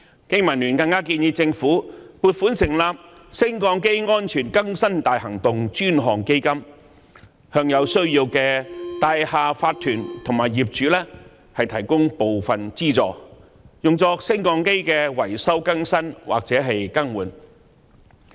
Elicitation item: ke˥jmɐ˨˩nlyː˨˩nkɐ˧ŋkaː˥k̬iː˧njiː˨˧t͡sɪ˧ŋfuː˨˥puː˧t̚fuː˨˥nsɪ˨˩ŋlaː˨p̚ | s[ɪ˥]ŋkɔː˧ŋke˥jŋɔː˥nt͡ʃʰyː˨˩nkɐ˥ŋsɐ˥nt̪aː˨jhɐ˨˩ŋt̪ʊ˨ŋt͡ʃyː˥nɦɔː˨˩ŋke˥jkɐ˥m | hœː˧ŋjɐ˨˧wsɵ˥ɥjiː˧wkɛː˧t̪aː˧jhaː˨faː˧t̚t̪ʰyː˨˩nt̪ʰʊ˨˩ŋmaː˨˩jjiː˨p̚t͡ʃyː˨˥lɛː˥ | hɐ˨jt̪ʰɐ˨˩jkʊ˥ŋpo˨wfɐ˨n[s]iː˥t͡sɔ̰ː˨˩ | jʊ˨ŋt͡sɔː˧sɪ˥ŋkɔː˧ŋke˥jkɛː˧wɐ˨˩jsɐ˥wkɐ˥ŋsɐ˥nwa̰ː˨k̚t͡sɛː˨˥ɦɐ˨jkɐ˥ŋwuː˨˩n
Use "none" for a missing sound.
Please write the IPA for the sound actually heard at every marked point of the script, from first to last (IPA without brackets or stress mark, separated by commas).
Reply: ɪ˥, t͡s